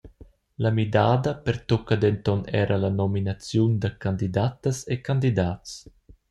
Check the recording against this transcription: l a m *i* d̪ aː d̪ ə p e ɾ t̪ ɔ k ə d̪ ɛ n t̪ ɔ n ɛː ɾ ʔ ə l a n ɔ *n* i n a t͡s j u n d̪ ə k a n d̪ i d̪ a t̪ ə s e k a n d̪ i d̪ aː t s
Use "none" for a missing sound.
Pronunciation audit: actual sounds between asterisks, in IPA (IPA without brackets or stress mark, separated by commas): i, m